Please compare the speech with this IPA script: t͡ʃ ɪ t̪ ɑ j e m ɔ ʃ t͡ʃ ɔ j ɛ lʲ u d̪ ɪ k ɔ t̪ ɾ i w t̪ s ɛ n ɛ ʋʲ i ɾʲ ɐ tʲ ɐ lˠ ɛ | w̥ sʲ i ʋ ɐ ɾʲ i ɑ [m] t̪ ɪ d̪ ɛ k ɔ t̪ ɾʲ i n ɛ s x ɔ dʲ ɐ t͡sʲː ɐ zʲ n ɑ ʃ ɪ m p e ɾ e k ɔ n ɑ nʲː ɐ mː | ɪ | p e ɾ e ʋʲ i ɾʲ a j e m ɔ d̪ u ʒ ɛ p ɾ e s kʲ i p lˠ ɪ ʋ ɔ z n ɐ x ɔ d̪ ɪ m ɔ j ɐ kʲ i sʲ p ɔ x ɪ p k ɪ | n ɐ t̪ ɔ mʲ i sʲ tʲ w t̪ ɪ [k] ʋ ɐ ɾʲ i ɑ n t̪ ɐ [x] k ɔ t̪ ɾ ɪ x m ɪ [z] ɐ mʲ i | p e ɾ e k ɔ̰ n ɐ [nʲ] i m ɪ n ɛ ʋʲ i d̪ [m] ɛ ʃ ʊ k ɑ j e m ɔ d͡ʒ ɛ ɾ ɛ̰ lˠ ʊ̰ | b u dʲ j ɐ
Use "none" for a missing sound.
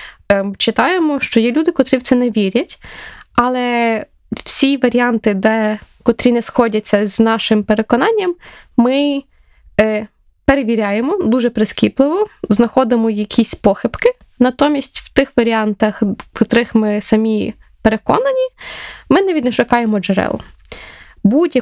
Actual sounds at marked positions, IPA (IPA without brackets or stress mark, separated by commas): n, x, x, s, nʲ, n